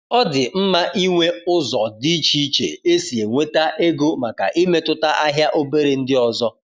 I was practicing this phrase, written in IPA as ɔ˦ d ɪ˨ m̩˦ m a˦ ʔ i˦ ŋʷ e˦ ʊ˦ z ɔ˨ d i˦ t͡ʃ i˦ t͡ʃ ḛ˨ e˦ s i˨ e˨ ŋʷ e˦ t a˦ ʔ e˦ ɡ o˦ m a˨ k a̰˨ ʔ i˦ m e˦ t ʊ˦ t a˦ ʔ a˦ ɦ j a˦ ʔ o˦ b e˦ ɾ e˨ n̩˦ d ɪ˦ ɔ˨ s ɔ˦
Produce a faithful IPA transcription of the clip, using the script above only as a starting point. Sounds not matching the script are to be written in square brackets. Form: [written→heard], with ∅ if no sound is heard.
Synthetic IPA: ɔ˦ d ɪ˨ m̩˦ m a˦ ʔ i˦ ŋʷ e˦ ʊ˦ z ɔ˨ d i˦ t͡ʃ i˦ t͡ʃ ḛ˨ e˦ s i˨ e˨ ŋʷ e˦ t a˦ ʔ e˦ ɡ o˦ m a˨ k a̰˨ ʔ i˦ m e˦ t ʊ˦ t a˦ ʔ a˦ ɦ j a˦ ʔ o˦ b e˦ ɾ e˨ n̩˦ d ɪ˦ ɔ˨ [s→z] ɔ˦